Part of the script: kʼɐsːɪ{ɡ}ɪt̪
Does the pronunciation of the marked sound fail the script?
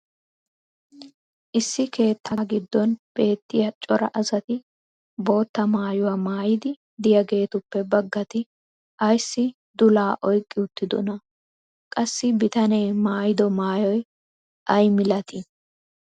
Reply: yes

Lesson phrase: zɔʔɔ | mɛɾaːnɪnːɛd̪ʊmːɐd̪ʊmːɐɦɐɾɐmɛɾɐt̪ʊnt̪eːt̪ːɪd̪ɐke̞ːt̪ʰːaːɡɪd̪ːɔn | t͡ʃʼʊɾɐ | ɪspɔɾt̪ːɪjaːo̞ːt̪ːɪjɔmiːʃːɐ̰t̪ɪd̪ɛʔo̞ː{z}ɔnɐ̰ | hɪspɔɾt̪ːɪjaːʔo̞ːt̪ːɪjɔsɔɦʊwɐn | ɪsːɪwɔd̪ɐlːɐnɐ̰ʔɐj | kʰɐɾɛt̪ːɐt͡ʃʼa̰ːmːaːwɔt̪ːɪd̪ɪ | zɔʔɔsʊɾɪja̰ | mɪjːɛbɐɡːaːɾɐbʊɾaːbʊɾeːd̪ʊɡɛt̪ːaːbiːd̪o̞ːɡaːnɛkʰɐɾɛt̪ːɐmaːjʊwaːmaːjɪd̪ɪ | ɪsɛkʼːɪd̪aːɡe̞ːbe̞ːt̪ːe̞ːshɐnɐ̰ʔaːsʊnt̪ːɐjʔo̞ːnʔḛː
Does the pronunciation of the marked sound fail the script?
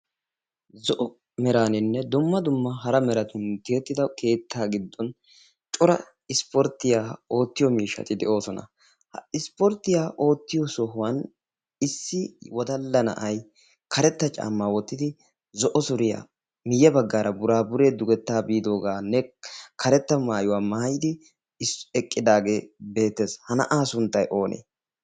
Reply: yes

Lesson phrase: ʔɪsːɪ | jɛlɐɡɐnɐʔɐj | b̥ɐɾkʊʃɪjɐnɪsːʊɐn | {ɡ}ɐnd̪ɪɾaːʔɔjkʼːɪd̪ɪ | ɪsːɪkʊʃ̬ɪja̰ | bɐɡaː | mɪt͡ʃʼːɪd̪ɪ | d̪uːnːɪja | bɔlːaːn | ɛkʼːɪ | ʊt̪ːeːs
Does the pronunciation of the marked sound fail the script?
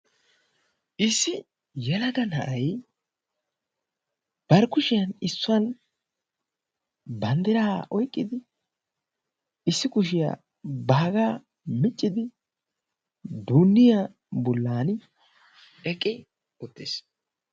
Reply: yes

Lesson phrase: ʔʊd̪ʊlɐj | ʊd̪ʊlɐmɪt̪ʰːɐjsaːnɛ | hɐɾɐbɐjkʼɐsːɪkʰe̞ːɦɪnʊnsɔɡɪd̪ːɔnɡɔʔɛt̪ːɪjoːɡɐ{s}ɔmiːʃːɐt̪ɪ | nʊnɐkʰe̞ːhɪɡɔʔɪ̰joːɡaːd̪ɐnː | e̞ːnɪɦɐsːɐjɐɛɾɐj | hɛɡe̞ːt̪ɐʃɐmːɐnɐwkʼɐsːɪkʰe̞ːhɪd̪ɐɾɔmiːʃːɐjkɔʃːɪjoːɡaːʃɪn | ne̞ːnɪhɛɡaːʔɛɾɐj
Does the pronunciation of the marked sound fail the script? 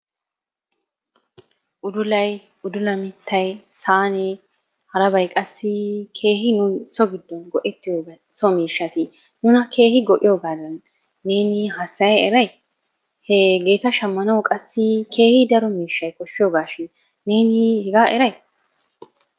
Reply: no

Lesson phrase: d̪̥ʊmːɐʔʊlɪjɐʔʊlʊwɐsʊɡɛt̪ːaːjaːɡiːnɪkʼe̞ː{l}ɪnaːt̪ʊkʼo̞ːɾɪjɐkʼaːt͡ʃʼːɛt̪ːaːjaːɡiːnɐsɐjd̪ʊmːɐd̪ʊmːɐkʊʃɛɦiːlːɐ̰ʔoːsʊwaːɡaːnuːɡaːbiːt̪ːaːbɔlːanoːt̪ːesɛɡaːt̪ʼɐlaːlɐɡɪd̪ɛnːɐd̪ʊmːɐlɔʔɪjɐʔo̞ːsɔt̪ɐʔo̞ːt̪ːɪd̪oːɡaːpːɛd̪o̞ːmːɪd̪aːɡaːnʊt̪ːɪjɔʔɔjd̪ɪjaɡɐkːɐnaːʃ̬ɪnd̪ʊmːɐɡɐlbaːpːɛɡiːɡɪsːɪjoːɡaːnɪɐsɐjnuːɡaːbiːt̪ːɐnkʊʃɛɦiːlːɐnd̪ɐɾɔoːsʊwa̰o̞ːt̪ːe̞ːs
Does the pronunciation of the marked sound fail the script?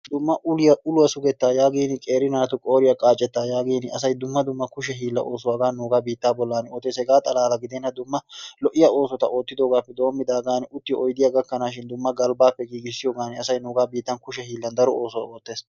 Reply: yes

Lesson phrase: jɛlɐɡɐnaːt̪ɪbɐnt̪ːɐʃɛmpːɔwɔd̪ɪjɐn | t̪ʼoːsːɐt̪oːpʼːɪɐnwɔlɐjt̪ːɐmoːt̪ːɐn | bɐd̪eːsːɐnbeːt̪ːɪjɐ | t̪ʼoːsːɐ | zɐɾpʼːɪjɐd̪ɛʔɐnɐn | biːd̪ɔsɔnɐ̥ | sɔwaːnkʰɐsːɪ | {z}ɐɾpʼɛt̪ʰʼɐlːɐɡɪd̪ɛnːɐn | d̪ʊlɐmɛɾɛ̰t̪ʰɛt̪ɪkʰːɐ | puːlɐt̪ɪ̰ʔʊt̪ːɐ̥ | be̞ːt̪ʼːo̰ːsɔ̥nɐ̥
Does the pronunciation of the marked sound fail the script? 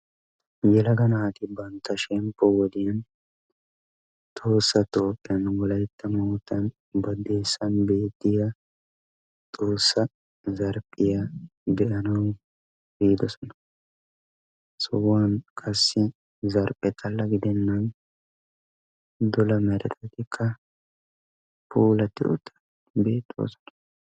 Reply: no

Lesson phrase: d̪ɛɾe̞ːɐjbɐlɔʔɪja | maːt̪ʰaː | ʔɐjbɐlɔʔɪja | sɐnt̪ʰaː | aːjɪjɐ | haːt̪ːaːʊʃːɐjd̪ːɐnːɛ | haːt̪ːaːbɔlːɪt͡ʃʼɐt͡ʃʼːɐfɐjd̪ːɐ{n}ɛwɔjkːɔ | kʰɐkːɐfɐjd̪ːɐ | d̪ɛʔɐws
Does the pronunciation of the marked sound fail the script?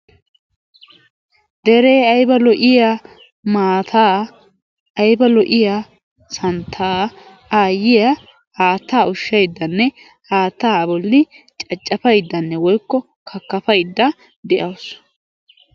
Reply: yes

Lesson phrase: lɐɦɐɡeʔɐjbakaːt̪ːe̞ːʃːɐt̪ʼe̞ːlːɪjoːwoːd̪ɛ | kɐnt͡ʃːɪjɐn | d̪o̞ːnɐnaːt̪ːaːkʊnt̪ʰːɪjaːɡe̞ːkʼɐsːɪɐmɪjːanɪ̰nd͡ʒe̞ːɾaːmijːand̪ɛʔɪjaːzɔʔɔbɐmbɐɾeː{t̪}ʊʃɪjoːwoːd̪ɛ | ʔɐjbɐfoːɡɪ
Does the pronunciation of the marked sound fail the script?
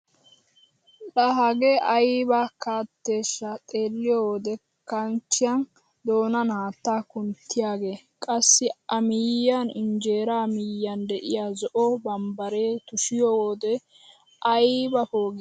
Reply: no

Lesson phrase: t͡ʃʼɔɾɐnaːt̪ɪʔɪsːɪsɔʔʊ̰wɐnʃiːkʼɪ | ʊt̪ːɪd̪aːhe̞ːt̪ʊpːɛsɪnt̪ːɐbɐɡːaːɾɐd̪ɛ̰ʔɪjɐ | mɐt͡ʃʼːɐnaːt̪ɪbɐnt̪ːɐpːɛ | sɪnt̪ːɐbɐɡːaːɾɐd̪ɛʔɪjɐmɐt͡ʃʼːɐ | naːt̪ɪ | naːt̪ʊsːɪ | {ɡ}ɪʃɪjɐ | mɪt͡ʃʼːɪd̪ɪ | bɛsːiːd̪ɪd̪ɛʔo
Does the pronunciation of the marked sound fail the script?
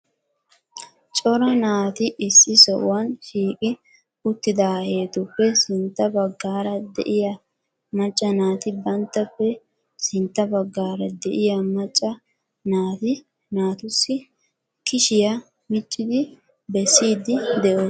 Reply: yes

